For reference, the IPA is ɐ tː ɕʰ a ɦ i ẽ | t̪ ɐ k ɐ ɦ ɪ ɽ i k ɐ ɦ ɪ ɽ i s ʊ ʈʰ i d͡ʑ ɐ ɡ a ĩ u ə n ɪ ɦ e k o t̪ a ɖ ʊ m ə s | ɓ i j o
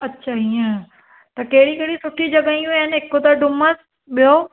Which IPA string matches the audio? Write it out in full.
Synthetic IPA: ɐ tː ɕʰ a ɦ i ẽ | t̪ ɐ k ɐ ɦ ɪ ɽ i k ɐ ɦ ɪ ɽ i s ʊ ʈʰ i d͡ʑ ɐ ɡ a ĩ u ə n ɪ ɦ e k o t̪ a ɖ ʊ m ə s | ɓ i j o

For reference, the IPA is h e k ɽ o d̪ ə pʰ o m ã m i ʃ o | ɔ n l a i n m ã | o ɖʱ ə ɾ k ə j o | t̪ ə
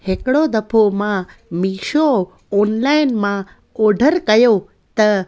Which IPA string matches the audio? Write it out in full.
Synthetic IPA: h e k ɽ o d̪ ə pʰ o m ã m i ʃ o | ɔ n l a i n m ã | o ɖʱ ə ɾ k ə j o | t̪ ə

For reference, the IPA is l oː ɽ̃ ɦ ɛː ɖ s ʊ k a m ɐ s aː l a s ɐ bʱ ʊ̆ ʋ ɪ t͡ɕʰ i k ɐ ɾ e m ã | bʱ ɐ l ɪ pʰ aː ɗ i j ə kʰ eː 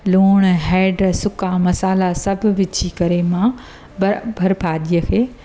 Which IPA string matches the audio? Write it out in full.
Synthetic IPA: l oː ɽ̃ ɦ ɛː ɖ s ʊ k a m ɐ s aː l a s ɐ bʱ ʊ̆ ʋ ɪ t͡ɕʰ i k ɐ ɾ e m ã | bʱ ɐ ɾ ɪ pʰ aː ɗ i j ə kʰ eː

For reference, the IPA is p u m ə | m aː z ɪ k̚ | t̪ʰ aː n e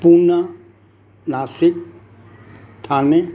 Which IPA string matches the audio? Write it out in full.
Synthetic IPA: p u n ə | n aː s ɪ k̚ | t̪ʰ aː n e

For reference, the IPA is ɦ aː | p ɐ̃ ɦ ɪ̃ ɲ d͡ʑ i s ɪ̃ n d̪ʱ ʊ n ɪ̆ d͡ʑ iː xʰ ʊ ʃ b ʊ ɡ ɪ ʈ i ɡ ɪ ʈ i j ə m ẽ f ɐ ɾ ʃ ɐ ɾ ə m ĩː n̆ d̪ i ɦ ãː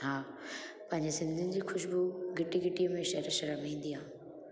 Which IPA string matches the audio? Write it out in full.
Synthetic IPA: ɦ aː | p ɐ̃ ɦ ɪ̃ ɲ d͡ʑ e s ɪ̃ n d̪ʱ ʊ n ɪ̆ d͡ʑ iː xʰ ʊ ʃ b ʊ ɡ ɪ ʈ i ɡ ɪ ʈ i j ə m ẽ ʃ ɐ ɾ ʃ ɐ ɾ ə m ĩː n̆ d̪ i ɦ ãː

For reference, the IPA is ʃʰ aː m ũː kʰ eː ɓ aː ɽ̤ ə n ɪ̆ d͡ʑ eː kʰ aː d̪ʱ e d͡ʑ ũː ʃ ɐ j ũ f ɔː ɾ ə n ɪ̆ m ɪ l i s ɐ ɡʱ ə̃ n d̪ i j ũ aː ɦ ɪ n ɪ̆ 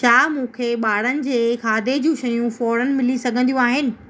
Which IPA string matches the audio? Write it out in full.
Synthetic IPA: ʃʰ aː m ũː kʰ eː ɓ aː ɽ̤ ə n ɪ̆ d͡ʑ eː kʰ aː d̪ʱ e d͡ʑ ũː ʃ ɐ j ũ f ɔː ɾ ə n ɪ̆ m ɪ l i s ɐ ɡʱ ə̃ n d̪ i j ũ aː ɦ ɪ n ɪ̆

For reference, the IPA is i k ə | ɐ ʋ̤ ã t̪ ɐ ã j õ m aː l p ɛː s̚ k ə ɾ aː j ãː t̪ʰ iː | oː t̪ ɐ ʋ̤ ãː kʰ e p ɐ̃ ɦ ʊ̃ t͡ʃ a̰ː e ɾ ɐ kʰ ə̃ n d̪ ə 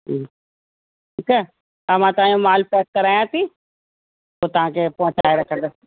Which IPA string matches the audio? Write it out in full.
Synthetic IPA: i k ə | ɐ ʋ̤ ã t̪ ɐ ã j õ m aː l p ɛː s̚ k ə ɾ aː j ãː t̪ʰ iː | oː t̪ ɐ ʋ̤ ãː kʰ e p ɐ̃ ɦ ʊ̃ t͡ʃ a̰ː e ɾ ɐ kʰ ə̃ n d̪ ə

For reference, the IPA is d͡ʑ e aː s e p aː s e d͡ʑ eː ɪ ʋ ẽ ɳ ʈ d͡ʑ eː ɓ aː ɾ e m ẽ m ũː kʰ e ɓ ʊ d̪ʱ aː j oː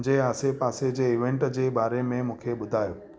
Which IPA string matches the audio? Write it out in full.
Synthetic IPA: d͡ʑ e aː s e p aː s e d͡ʑ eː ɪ ʋ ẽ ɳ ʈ d͡ʑ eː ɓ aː ɾ e m ẽ m ũː kʰ e ɓ ʊ d̪ʱ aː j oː

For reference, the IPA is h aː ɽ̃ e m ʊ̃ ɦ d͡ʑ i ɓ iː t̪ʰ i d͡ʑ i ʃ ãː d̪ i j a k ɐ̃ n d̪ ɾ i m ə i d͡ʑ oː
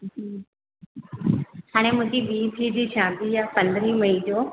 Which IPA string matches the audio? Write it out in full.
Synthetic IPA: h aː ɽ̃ e m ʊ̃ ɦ d͡ʑ i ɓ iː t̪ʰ i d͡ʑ i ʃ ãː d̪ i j a p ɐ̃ n d̪ ɾ i m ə i d͡ʑ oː

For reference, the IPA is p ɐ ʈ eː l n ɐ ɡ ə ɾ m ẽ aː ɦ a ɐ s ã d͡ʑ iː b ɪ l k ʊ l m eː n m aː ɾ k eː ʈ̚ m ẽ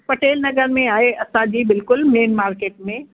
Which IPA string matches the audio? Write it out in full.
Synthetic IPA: p ɐ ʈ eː l n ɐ ɡ ə ɾ m ẽ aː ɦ e ɐ s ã d͡ʑ iː b ɪ l k ʊ l m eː n m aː ɾ k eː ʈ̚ m ẽ

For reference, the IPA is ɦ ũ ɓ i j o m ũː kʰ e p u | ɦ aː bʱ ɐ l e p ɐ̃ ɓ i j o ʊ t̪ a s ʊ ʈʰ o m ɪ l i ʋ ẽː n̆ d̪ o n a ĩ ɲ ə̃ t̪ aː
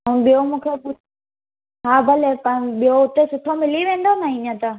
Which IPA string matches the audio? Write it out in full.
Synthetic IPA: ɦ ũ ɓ i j o m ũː kʰ e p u | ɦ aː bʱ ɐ l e p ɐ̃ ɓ i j o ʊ t̪ e s ʊ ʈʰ o m ɪ l i ʋ ẽː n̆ d̪ o n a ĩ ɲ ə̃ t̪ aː

